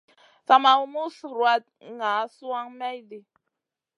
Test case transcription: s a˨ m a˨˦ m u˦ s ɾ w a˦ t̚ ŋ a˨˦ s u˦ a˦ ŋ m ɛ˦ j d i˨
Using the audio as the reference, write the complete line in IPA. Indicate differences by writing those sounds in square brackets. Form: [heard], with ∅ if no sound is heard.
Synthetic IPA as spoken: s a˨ m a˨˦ m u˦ s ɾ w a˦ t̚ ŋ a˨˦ s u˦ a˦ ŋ m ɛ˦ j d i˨